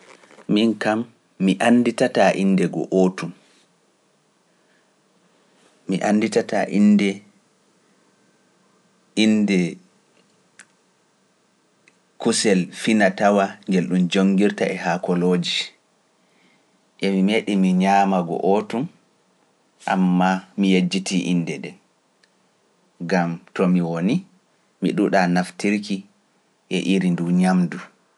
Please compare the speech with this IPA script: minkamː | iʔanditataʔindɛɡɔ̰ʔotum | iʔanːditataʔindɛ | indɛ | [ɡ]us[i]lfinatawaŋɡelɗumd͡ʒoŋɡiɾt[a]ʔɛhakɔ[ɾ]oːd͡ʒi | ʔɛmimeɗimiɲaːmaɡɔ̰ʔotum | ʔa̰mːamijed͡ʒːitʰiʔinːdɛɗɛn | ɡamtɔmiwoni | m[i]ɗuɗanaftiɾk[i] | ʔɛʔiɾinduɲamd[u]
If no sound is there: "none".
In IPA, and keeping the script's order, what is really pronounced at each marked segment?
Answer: k, ɛ, a, l, i, i, u

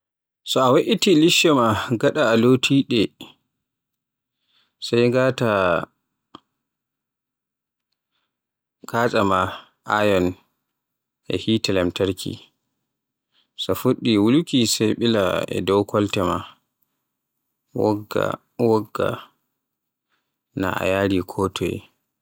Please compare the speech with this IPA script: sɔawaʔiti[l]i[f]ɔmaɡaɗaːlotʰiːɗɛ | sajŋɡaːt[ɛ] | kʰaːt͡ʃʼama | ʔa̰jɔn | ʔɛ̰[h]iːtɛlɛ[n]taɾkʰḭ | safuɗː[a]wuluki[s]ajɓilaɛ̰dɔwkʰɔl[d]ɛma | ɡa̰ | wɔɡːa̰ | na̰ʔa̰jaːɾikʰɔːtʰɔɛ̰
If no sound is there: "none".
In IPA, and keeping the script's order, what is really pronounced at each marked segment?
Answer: l, ʃ, a, h, m, i, s, t

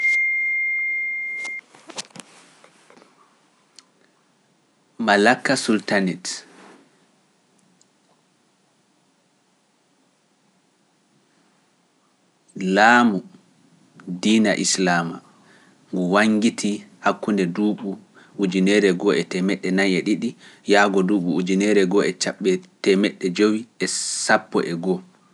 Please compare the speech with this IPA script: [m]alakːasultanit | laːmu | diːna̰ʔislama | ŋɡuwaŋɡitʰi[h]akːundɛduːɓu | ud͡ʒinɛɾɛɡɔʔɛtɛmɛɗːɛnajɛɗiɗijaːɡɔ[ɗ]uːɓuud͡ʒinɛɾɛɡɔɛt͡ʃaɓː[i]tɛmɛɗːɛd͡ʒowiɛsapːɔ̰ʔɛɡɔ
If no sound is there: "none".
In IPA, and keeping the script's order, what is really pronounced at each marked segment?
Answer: m, h, d, ɛ

